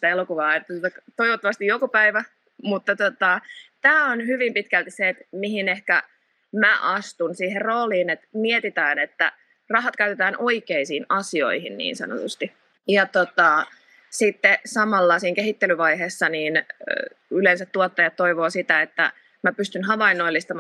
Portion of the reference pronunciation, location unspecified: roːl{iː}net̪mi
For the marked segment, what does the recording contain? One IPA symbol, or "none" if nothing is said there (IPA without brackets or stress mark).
iː